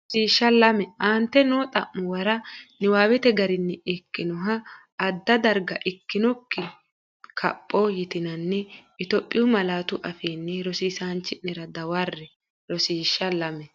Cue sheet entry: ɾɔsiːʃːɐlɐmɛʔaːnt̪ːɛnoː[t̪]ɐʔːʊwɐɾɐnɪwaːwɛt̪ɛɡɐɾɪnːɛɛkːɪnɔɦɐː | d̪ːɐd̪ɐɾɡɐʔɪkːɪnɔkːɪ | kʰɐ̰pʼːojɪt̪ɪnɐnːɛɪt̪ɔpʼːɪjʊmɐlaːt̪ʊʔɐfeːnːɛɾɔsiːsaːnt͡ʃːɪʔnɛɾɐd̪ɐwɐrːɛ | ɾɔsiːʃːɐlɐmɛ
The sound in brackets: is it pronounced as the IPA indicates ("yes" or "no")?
no